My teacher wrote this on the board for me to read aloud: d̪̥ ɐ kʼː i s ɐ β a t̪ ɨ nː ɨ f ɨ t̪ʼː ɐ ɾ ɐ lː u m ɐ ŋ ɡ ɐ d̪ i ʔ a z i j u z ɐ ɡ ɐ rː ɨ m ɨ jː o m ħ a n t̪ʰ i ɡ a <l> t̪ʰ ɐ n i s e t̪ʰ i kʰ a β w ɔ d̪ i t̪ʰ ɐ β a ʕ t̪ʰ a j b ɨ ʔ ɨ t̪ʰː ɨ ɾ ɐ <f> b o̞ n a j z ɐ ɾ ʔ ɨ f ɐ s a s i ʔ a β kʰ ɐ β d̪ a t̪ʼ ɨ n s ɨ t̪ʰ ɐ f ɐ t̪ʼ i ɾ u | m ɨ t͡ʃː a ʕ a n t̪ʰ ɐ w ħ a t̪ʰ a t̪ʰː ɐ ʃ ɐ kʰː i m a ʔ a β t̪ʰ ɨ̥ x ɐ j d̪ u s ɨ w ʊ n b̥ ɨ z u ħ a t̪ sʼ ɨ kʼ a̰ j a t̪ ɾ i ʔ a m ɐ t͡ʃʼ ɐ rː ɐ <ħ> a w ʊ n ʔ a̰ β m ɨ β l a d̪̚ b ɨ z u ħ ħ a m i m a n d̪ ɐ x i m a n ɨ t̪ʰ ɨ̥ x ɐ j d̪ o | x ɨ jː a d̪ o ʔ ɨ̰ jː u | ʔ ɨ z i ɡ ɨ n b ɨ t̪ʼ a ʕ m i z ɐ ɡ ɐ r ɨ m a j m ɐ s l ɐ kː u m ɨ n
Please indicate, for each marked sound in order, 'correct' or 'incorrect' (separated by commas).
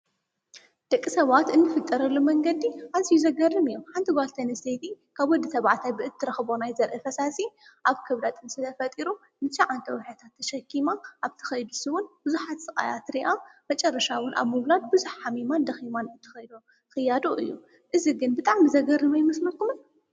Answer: correct, incorrect, incorrect